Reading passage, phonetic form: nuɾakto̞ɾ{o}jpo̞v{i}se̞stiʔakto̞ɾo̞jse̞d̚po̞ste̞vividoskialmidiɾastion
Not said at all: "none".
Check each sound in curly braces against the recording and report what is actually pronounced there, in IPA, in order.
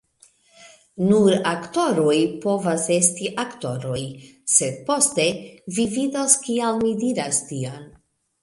o, a

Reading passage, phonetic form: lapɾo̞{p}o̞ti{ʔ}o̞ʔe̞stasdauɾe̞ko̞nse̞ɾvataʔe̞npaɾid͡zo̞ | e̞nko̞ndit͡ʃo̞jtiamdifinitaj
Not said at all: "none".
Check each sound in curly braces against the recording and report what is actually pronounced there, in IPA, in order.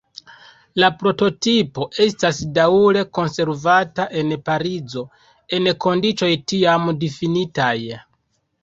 t, p

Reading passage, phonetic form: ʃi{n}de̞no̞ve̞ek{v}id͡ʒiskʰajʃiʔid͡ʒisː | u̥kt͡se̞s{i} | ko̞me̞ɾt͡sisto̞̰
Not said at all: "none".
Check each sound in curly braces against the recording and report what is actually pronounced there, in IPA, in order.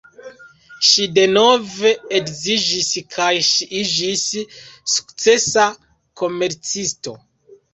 none, z, a

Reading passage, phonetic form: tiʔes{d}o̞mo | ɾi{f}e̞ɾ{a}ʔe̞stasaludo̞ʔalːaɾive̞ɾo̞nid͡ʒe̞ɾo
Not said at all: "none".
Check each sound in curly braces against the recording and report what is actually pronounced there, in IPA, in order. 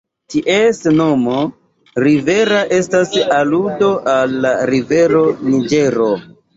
n, v, a

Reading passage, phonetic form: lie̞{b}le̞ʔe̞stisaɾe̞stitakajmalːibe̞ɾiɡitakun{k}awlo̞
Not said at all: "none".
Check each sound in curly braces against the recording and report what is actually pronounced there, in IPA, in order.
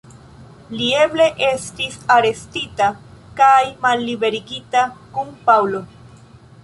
b, p

